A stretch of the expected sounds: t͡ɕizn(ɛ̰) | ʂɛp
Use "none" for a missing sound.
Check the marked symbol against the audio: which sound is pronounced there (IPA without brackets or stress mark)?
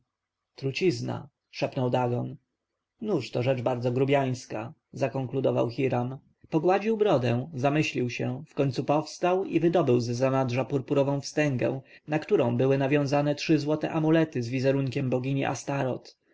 a̰